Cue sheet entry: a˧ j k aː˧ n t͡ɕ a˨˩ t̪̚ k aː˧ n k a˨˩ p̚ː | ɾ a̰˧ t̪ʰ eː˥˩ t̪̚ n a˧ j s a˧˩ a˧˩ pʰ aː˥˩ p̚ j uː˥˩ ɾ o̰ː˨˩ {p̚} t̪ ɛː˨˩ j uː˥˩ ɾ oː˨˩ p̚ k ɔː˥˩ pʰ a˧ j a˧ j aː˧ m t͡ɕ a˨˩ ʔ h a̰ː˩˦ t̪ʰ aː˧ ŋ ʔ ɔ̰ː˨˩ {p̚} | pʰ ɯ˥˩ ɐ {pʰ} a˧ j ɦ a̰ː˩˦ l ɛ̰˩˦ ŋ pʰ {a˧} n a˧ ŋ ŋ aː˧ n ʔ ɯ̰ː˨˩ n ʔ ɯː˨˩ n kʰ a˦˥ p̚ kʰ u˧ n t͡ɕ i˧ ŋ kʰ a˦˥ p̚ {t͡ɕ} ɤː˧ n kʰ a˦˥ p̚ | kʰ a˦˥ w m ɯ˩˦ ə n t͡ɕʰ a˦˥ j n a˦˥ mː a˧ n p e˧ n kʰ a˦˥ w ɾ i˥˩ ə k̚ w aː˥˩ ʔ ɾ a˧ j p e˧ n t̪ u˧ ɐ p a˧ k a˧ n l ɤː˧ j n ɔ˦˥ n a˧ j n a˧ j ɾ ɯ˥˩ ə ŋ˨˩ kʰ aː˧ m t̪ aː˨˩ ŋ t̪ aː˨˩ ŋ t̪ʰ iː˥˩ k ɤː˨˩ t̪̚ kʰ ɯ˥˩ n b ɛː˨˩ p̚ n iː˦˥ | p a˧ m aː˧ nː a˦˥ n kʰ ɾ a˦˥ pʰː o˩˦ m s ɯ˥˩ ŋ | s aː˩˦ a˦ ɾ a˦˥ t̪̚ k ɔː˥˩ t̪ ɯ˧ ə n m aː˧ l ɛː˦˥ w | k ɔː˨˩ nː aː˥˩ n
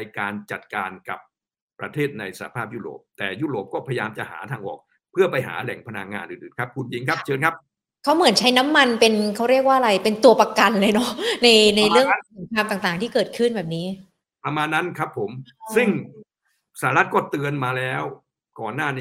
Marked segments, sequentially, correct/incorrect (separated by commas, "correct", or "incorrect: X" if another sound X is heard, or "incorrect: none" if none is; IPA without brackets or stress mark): correct, incorrect: k̚, incorrect: p, correct, incorrect: t͡ɕʰ